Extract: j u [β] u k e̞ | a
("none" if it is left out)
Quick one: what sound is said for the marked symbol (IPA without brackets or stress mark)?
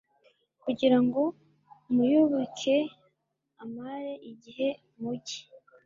β